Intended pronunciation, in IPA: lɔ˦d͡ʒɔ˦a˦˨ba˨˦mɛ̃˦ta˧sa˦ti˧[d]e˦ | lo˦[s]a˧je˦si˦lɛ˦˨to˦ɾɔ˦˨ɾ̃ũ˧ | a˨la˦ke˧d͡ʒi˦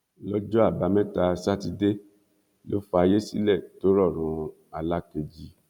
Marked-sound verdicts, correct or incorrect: correct, incorrect

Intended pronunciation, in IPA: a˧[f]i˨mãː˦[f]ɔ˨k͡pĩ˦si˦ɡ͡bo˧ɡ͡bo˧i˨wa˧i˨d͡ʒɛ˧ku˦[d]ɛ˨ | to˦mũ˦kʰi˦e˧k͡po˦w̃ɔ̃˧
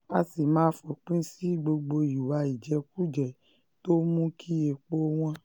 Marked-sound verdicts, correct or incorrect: incorrect, correct, incorrect

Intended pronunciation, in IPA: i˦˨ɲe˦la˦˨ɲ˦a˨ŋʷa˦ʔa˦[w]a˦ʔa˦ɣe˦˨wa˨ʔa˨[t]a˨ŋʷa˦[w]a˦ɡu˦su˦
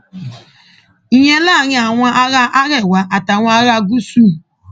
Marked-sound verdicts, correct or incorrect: incorrect, correct, incorrect

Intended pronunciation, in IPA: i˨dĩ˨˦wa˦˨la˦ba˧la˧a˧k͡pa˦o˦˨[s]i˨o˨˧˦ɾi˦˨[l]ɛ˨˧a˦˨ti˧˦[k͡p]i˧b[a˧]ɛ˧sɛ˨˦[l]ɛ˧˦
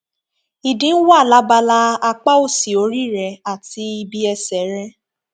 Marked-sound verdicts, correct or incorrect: correct, incorrect, incorrect, incorrect, incorrect

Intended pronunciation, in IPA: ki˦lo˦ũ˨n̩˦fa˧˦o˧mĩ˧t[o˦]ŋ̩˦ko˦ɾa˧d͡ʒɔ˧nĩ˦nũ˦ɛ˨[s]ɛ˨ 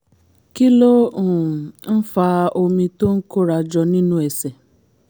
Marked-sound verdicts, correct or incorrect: correct, correct

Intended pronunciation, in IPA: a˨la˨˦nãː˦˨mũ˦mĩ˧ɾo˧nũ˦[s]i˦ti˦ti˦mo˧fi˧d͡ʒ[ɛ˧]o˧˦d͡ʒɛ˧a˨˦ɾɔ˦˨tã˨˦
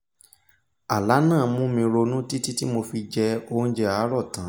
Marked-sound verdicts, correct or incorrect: incorrect, correct

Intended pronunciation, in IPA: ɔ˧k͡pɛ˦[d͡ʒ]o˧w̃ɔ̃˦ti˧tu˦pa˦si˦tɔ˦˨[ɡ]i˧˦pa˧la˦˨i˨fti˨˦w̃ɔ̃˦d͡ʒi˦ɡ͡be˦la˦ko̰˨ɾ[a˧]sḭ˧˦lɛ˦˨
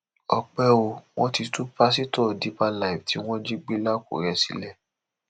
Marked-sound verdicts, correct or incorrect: incorrect, incorrect, incorrect

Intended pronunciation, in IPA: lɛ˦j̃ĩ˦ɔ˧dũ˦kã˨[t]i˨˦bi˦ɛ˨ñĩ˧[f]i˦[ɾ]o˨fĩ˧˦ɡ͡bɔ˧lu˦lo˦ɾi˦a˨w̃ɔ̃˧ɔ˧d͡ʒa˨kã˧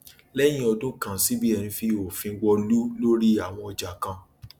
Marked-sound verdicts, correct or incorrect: incorrect, correct, incorrect

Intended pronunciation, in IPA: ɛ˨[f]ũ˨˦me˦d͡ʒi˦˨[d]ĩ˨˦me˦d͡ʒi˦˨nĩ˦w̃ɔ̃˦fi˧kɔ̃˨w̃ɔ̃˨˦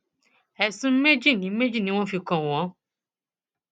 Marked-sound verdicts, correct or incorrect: incorrect, incorrect

